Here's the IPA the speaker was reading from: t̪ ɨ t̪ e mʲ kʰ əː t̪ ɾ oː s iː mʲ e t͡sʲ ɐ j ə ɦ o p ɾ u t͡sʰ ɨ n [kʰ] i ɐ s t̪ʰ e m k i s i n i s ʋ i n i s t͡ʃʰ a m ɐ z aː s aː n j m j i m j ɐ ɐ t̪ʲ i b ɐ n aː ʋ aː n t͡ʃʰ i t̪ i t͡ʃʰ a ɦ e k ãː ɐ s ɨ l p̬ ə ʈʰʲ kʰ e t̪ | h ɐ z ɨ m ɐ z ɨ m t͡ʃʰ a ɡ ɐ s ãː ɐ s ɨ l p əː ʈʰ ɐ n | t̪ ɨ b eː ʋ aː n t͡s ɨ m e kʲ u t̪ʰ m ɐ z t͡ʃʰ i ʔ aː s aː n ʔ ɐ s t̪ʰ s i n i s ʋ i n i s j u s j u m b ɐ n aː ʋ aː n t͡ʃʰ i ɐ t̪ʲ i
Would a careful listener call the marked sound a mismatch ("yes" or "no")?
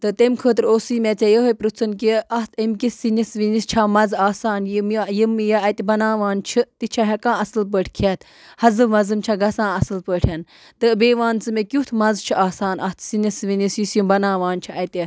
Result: yes